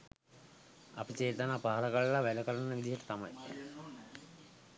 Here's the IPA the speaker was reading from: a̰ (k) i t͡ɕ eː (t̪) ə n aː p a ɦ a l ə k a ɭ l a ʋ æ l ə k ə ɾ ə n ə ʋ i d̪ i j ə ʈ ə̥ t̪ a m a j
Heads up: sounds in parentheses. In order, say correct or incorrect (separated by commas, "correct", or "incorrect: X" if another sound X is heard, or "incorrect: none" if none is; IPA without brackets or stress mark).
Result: incorrect: p, correct